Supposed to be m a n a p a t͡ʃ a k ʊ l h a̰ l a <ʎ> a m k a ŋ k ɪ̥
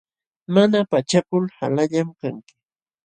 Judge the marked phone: correct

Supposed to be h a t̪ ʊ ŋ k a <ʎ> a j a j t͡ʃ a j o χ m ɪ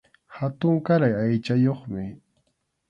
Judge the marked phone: incorrect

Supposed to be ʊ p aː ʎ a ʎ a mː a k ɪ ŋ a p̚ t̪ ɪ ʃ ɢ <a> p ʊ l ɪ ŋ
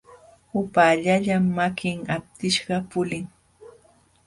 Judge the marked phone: incorrect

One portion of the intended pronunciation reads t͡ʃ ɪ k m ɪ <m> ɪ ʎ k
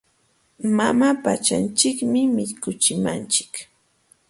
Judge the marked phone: correct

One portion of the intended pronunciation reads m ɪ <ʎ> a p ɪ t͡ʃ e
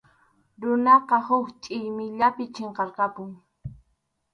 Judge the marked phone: correct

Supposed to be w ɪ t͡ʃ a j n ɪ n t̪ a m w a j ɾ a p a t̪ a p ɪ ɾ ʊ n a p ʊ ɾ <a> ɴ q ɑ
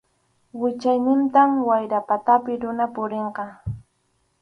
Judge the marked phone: incorrect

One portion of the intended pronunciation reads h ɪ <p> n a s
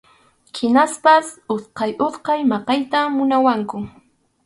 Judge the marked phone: incorrect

